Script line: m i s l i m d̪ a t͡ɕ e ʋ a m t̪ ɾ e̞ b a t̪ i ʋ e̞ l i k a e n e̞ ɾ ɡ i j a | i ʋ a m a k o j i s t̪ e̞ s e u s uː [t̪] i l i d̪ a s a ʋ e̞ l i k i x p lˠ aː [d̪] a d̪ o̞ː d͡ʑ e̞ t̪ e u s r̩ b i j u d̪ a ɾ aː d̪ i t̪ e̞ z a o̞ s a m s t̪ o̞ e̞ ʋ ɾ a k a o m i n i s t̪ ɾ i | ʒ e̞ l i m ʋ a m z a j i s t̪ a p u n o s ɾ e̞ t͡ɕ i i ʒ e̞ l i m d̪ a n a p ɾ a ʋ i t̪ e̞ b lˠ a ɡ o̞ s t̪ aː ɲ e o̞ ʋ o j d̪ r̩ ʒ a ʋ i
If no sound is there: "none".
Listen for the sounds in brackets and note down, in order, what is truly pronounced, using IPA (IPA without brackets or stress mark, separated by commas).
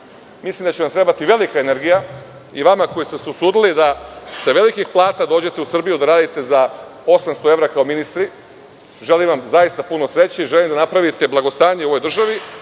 d̪, t̪